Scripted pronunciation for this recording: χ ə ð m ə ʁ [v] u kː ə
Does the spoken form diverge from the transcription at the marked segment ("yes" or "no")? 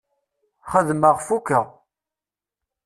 yes